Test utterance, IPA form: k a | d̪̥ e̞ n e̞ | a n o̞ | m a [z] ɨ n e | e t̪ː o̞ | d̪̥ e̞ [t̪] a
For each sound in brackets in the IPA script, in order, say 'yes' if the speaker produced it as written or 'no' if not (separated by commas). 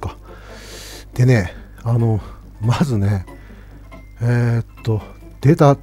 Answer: yes, yes